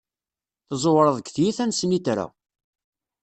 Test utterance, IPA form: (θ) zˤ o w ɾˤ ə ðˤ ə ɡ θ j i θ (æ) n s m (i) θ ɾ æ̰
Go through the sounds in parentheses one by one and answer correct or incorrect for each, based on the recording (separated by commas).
correct, correct, correct